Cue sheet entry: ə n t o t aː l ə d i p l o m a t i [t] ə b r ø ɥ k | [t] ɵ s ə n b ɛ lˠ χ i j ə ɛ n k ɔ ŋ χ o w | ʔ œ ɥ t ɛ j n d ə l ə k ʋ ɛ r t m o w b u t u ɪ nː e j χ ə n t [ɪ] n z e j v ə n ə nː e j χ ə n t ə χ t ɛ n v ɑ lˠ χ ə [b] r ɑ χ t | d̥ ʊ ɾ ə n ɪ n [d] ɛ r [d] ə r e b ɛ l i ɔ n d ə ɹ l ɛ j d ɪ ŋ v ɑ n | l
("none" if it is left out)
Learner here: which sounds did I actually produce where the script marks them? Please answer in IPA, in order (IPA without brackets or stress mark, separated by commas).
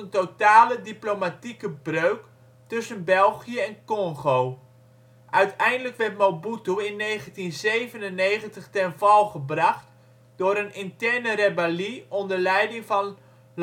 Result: k, t, i, b, t, n